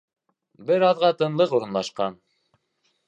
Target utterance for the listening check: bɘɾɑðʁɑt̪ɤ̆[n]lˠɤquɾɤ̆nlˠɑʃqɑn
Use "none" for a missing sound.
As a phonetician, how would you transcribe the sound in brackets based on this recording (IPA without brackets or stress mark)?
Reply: n